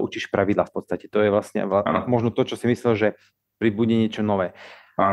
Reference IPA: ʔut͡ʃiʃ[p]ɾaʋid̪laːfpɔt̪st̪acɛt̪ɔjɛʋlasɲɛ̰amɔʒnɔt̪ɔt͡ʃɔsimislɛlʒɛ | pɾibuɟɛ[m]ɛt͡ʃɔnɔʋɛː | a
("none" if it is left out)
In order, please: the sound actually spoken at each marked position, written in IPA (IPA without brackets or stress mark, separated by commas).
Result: p, ɲ